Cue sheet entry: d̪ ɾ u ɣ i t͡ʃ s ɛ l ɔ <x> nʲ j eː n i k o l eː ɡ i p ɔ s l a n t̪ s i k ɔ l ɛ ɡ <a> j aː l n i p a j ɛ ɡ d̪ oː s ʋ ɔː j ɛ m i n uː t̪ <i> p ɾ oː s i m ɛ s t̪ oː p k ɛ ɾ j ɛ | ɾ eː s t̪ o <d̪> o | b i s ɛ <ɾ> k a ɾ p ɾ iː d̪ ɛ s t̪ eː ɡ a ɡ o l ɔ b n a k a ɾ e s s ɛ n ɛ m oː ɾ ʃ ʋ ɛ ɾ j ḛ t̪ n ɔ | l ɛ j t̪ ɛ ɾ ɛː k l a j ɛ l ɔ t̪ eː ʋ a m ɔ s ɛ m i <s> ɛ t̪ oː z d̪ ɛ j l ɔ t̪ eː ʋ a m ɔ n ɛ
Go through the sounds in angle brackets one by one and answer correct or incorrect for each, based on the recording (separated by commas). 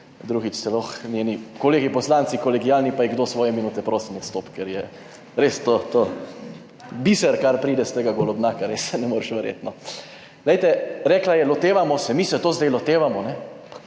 correct, incorrect, incorrect, incorrect, correct, correct